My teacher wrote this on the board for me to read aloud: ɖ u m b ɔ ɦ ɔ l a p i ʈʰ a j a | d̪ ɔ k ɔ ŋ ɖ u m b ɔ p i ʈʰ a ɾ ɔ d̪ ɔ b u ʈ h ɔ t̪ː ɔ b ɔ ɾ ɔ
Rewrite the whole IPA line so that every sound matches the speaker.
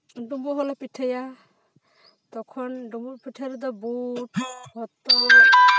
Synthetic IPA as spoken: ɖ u m b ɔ ɦ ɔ l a p i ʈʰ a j a | t̪ ɔ kʰ ɔ n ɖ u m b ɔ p i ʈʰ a ɾ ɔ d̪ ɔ b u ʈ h ɔ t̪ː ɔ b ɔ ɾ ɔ